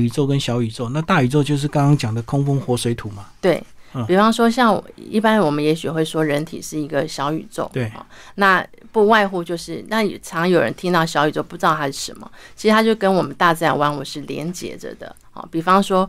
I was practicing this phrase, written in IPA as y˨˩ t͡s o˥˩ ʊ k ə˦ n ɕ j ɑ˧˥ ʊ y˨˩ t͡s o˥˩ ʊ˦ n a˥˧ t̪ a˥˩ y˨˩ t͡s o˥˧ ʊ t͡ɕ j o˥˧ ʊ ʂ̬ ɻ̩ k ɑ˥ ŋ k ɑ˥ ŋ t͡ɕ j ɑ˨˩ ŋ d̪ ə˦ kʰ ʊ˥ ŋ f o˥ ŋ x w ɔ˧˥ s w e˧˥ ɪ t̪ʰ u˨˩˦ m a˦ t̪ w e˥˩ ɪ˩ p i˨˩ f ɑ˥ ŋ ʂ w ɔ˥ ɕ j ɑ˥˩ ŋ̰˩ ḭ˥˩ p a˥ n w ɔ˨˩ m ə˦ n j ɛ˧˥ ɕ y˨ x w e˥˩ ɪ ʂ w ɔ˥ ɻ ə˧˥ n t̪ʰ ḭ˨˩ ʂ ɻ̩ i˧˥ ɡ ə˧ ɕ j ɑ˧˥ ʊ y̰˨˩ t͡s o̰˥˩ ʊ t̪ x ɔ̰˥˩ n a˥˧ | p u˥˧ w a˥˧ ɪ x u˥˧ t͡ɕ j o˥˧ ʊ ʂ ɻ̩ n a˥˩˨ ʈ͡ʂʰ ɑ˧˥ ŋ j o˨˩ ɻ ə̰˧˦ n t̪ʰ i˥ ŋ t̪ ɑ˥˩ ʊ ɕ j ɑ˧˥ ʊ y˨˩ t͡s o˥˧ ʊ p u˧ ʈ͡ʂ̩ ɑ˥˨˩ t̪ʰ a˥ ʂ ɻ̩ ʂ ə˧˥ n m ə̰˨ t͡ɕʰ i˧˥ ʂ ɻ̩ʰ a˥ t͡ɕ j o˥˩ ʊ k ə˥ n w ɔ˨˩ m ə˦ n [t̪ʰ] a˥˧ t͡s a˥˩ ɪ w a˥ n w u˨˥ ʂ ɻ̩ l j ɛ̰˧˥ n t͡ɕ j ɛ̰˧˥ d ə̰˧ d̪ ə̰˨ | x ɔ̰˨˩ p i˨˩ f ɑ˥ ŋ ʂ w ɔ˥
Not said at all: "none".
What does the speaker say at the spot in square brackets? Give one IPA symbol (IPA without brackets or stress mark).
t̪